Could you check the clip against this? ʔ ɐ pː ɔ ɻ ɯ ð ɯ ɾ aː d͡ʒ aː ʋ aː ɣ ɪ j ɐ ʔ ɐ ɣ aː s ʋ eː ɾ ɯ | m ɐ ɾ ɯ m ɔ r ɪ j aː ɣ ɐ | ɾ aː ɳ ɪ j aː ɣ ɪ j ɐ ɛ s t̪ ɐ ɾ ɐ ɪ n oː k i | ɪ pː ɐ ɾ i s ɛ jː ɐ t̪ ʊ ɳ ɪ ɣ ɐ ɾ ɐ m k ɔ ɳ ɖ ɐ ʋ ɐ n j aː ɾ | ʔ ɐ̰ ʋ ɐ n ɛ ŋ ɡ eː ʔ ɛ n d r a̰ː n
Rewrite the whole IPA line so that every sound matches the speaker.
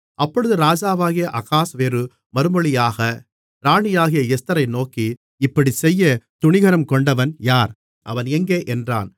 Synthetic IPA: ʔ ɐ pː ɔ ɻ ɯ ð ɯ ɾ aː d͡ʒ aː ʋ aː ɣ ɪ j ɐ ʔ ɐ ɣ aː s ʋ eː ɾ ɯ | m ɐ ɾ ɯ m ɔ ɭ ɪ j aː ɣ ɐ | ɾ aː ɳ ɪ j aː ɣ ɪ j ɐ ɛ s t̪ ɐ ɾ ɐ ɪ n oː k i | ɪ pː ɐ ɽ i s ɛ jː ɐ t̪ ʊ ɳ ɪ ɣ ɐ ɾ ɐ m k ɔ ɳ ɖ ɐ ʋ ɐ n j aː ɾ | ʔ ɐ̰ ʋ ɐ n ɛ ŋ ɡ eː ʔ ɛ n d r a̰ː n